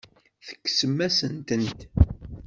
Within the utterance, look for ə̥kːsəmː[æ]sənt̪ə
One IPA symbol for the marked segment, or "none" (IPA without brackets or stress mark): æ